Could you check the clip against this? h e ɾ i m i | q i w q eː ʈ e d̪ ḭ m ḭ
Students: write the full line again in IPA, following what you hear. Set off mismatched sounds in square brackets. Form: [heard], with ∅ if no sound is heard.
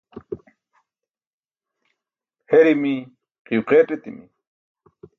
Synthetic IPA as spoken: h e ɾ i m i | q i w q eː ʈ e [t̪] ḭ m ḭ

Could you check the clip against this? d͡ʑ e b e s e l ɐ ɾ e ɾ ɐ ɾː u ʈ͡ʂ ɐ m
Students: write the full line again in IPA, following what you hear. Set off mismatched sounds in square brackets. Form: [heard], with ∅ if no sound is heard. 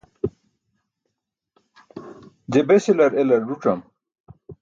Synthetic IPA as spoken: d͡ʑ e b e s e l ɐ ɾ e [l] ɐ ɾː u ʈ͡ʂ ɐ m

